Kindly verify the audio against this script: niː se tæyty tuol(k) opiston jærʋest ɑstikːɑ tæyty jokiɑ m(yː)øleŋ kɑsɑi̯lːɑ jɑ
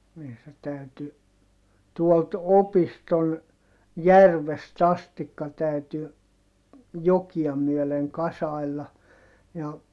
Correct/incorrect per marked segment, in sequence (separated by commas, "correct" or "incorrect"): incorrect, incorrect